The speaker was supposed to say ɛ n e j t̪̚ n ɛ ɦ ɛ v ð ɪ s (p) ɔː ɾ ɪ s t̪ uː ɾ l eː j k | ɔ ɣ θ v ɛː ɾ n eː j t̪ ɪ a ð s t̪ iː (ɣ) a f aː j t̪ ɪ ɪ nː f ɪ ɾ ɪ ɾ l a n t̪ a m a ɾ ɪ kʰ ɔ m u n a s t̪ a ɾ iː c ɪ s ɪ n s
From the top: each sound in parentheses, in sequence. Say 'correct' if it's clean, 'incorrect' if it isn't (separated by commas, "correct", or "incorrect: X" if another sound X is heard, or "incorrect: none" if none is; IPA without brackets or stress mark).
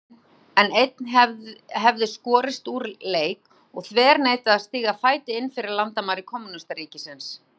incorrect: k, correct